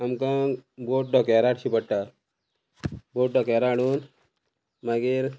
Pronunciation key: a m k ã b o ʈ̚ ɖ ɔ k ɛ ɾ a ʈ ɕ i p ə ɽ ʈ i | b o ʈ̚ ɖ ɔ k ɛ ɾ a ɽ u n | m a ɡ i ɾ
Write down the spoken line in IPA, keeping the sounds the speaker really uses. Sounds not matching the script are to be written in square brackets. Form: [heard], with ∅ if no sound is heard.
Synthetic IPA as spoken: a m k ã b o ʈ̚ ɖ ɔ k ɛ ɾ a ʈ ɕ i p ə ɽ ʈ [a] | b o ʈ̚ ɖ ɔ k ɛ ɾ a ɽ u n | m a ɡ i ɾ

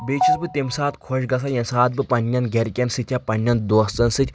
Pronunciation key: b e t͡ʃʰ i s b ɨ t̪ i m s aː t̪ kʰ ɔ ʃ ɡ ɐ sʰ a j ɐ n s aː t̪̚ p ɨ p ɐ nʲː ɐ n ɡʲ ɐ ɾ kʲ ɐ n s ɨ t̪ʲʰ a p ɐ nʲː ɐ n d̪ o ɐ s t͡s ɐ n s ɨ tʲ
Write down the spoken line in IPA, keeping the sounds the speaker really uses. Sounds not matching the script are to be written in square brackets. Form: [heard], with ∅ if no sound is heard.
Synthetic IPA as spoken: b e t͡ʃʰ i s b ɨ t̪ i m s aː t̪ kʰ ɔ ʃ ɡ ɐ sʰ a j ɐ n s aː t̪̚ [b] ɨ p ɐ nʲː ɐ n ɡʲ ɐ ɾ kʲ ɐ n s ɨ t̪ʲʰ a p ɐ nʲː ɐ n d̪ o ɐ s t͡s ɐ n s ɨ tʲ

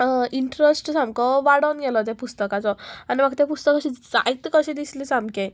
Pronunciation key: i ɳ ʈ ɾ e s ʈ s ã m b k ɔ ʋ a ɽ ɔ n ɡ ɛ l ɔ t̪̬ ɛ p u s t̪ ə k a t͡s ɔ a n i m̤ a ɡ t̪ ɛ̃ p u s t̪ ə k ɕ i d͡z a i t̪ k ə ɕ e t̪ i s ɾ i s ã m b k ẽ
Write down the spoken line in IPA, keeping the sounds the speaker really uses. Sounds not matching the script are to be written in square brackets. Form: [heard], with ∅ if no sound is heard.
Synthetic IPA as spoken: i ɳ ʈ ɾ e s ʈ s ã m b k ɔ ʋ a ɽ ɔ n ɡ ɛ l ɔ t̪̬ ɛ p u s t̪ ə k a t͡s ɔ a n i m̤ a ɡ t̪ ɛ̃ p u s t̪ ə k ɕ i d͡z a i t̪ k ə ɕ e [d̪] i s [l] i s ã m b k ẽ

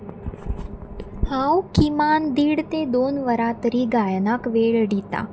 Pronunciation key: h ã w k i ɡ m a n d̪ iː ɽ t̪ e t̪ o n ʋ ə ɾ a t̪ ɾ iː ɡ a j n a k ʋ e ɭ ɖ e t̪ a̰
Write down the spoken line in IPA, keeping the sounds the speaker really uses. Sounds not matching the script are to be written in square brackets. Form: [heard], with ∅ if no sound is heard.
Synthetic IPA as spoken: h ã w k i [∅] m a n d̪ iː ɽ t̪ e [d̪] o n ʋ ə ɾ a t̪ ɾ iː ɡ a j n a k ʋ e ɭ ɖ [i] t̪ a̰

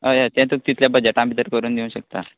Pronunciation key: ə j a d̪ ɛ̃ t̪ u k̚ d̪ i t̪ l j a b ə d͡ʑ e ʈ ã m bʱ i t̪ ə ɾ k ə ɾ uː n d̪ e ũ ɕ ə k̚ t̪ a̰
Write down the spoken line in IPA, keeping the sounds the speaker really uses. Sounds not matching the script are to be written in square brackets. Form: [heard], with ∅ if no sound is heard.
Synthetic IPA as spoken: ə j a [t̪] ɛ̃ t̪ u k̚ [t̪] i t̪ l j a b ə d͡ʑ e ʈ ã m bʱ i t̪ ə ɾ k ə ɾ uː n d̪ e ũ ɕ ə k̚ t̪ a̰

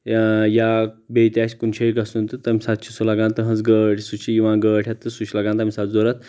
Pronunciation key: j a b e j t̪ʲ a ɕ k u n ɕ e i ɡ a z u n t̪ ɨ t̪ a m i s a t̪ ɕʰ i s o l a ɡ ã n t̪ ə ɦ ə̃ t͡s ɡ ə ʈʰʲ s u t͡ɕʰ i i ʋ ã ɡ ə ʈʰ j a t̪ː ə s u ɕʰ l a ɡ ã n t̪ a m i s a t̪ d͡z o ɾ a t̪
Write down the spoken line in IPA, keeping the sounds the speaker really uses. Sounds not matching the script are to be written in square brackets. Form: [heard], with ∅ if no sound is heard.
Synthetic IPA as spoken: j a b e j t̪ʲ a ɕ k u n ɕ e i ɡ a [s] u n t̪ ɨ t̪ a m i s a t̪ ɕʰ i s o l a ɡ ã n t̪ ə ɦ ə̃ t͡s ɡ ə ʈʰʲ s u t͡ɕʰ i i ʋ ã ɡ ə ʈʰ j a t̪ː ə s u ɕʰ l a ɡ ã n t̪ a m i s a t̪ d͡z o ɾ a t̪

